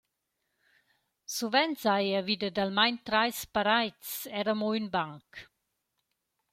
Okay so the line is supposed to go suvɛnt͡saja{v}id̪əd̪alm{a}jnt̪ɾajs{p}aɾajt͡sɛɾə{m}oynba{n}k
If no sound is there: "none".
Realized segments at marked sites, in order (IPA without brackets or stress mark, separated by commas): v, a, p, m, ŋ